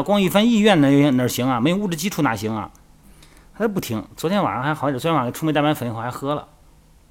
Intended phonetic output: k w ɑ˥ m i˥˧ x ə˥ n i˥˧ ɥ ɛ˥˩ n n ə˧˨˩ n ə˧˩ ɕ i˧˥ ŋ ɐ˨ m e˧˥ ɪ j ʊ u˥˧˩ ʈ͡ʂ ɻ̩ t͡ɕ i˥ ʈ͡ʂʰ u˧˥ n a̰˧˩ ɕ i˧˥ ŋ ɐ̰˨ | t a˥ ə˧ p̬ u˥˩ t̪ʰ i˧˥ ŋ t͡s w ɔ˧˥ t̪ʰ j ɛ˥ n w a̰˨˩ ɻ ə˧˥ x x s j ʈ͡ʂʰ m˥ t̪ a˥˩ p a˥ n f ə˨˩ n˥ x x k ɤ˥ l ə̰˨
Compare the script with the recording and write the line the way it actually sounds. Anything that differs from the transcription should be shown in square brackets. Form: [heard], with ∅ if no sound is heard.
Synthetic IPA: k w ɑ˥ [ŋ] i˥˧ [f] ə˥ n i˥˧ ɥ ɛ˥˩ n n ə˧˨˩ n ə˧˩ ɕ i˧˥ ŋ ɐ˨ m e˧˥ ɪ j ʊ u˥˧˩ ʈ͡ʂ ɻ̩ t͡ɕ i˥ ʈ͡ʂʰ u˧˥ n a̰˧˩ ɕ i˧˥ ŋ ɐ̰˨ | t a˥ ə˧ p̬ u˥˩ t̪ʰ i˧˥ ŋ t͡s w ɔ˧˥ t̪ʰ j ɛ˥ n w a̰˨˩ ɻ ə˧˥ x x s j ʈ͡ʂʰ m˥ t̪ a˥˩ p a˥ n f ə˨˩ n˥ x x [x] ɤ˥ l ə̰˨